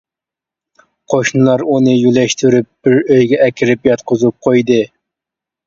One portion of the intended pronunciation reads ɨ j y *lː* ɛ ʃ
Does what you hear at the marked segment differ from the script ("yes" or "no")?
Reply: yes